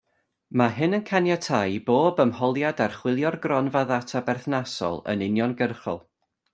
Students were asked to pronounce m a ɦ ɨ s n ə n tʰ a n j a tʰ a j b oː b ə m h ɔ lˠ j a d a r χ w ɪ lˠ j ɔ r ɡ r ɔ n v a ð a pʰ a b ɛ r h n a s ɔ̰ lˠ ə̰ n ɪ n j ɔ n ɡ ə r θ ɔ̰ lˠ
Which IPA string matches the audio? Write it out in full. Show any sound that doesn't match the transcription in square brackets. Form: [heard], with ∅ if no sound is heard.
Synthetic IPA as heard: m a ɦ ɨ [∅] n ə n [kʰ] a n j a tʰ a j b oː b ə m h ɔ lˠ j a d a r χ w ɪ lˠ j ɔ r ɡ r ɔ n v a ð a [tʰ] a b ɛ r [θ] n a s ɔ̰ lˠ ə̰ n ɪ n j ɔ n ɡ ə r [χ] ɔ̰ lˠ